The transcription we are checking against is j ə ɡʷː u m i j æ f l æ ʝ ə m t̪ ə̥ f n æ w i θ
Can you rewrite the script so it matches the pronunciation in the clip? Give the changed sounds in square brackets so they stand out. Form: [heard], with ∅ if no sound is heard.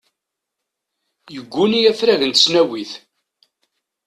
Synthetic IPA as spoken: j ə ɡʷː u [n] i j æ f [ɾ] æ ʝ ə [n] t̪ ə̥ [s] n æ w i θ